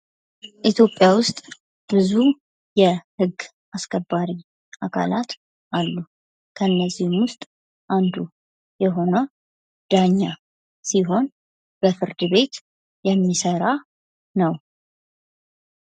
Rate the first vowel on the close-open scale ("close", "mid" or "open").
close